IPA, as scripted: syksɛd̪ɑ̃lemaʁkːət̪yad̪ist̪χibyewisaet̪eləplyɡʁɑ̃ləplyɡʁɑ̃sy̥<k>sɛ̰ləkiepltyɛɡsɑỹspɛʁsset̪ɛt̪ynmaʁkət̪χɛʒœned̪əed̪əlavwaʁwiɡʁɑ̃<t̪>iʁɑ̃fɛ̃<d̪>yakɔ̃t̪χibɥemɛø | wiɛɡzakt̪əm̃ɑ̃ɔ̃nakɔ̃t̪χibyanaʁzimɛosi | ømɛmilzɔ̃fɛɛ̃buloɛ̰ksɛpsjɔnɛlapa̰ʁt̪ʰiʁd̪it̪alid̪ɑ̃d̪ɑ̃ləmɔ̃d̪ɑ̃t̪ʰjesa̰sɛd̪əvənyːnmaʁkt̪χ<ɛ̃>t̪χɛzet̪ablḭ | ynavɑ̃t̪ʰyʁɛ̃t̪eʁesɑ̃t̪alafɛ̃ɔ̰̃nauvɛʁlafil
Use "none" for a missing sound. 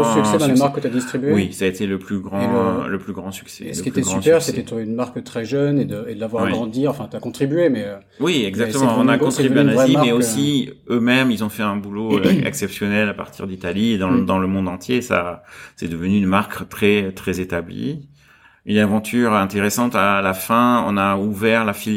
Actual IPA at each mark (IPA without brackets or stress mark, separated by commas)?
k, d̪, t̪, ɛ